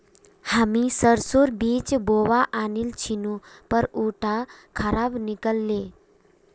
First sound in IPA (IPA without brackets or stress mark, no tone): h